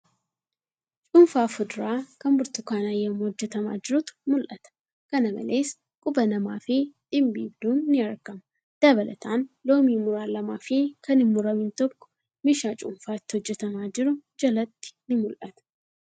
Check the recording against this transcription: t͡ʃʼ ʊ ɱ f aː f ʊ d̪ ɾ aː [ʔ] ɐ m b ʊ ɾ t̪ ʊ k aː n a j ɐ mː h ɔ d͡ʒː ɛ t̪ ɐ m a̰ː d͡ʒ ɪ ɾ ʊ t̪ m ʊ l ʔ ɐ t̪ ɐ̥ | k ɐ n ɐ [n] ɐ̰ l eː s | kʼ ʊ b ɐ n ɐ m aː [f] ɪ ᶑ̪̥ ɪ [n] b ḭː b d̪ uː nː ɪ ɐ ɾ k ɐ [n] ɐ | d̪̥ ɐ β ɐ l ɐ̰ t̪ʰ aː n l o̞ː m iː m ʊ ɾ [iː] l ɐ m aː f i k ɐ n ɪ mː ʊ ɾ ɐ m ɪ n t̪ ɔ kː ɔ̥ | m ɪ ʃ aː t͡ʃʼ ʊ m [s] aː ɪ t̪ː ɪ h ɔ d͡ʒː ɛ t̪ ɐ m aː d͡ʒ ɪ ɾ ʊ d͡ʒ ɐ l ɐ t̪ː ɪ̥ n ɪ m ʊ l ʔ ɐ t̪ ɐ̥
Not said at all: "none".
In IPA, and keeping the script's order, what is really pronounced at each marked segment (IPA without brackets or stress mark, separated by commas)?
k, m, f, m, m, aː, f